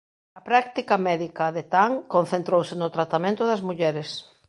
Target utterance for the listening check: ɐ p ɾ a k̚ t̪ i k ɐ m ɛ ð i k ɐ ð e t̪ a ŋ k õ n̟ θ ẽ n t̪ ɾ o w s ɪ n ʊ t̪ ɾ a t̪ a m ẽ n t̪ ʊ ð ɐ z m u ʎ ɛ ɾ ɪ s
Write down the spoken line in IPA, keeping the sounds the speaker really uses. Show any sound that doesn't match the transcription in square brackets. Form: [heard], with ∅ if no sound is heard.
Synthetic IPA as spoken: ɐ p ɾ a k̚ t̪ i k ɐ m ɛ ð i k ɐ ð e t̪ a ŋ k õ n̟ θ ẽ n t̪ ɾ o w s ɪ n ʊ t̪ ɾ a t̪ a m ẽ n t̪ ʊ ð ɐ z m u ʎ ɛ ɾ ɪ s